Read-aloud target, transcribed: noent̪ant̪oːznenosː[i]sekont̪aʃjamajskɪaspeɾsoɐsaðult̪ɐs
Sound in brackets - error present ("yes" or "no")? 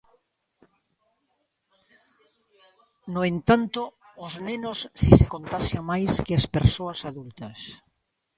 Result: no